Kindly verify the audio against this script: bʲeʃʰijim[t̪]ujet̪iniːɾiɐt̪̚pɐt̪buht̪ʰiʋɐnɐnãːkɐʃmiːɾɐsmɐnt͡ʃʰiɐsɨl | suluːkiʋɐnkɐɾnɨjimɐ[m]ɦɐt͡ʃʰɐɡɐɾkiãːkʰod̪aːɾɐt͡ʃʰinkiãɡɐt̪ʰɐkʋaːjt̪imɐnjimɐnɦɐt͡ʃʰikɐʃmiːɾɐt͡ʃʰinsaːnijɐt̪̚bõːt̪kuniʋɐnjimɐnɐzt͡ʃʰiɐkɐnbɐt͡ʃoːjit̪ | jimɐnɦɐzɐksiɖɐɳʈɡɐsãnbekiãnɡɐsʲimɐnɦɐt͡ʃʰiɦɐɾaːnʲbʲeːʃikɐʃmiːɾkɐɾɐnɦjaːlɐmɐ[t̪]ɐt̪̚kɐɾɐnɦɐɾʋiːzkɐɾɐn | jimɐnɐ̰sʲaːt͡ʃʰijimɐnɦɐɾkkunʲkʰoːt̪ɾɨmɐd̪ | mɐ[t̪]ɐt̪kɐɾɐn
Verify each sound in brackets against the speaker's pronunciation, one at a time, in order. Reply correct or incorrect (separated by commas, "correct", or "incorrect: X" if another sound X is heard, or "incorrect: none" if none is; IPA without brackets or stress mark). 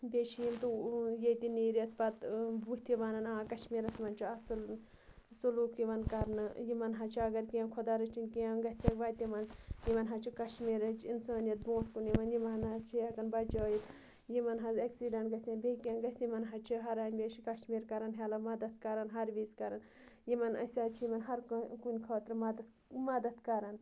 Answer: correct, incorrect: n, incorrect: d̪, incorrect: d̪